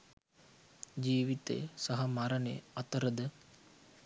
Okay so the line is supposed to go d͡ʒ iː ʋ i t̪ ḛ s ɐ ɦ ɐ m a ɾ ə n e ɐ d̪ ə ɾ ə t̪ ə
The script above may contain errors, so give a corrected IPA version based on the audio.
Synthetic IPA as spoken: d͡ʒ iː ʋ i t̪ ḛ s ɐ ɦ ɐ m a ɾ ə n e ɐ t̪ ə ɾ ə d̪ ə